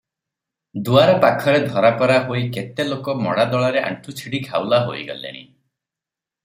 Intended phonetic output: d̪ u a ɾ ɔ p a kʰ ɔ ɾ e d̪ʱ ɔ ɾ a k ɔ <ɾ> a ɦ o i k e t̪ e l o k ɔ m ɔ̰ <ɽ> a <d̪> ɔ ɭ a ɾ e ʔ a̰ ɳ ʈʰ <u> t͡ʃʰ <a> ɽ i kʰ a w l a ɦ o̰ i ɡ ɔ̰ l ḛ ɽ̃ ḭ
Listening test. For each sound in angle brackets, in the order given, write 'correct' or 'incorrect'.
correct, correct, correct, correct, incorrect: i

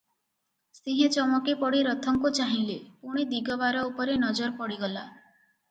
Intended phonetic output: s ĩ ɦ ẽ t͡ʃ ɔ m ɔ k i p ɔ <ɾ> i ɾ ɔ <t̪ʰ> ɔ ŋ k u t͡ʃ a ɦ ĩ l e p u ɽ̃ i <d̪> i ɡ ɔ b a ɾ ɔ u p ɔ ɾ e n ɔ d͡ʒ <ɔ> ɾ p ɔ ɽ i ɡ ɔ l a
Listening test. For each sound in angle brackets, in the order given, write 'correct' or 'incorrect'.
incorrect: ɽ, correct, correct, correct

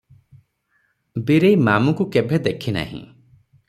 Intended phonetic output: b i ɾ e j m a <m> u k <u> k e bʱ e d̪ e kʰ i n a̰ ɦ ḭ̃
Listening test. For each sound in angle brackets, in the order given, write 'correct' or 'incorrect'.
correct, correct

